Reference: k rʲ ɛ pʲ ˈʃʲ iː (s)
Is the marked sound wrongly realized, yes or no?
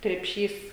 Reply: no